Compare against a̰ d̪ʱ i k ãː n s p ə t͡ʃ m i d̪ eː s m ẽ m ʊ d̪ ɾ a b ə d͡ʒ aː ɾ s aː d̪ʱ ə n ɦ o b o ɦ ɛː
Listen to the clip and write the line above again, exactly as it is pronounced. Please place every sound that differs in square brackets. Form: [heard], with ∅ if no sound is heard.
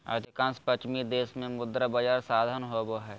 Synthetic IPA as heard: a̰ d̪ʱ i k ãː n s p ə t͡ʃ m i d̪ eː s m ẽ m ʊ d̪ ɾ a b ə d͡ʒ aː ɾ s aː d̪ʱ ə n ɦ o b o ɦ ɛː